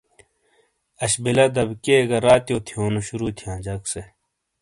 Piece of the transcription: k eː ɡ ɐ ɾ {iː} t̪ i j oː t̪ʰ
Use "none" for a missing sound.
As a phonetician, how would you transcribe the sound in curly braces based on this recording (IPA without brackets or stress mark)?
aː